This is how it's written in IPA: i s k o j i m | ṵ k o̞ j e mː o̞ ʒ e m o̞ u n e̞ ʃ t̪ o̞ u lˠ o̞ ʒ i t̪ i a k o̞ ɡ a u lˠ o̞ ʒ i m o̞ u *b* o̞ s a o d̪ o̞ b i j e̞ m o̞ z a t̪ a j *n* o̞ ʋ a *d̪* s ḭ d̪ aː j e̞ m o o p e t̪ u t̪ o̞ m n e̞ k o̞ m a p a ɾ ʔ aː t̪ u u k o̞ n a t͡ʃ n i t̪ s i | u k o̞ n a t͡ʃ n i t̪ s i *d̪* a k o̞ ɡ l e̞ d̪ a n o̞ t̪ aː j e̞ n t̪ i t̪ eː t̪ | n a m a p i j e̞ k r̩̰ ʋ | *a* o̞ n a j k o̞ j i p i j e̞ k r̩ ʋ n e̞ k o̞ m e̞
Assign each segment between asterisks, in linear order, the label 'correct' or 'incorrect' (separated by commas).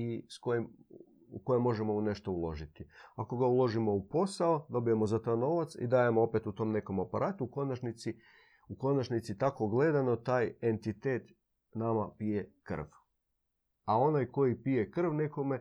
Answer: incorrect, correct, incorrect, incorrect, correct